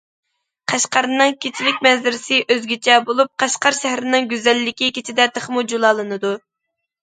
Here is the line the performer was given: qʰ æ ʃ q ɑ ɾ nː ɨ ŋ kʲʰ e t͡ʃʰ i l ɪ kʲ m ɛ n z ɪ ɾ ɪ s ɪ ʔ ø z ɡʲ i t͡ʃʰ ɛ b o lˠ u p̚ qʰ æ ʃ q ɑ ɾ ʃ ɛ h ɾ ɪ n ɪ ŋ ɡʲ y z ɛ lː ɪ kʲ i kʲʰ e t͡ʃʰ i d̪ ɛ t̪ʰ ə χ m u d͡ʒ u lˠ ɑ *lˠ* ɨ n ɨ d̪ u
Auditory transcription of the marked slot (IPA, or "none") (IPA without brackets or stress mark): lˠ